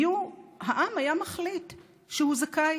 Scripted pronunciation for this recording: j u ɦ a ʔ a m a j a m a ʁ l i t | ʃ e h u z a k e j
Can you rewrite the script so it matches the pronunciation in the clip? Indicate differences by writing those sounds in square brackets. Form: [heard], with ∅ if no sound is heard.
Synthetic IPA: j u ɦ a ʔ a m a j a m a [χ] l i t | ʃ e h u z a k [a] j